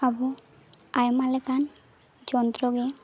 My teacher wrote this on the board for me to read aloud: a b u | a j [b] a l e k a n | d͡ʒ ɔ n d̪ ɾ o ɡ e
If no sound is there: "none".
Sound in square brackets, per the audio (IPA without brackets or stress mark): m